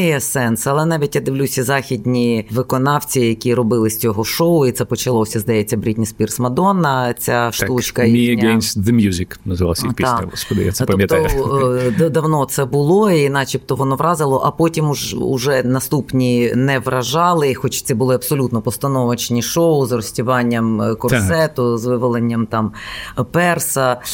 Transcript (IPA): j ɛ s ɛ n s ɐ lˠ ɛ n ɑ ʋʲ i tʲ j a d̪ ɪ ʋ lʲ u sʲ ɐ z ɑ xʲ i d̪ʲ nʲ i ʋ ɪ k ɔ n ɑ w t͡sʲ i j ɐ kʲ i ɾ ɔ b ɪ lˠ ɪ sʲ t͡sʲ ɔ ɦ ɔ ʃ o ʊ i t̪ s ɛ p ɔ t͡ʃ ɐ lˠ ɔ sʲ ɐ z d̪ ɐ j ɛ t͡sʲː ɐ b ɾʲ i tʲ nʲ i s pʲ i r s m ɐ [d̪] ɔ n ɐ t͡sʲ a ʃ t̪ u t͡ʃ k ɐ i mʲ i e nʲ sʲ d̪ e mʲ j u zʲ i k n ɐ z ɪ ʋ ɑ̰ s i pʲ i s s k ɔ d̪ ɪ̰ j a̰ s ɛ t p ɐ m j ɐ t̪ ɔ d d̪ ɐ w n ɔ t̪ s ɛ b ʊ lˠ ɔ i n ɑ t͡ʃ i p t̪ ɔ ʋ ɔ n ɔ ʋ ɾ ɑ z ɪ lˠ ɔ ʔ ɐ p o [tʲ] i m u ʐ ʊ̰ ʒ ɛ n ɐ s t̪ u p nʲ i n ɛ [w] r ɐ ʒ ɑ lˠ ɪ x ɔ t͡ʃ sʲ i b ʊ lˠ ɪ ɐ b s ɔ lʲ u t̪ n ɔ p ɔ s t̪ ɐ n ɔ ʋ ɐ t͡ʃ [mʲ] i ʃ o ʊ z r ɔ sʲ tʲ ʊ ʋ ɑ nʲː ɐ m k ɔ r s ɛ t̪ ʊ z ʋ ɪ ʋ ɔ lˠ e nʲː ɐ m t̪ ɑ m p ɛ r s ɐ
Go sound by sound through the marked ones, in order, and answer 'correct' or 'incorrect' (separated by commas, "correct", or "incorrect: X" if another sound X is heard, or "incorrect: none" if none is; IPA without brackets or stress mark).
correct, correct, incorrect: ʋ, incorrect: nʲ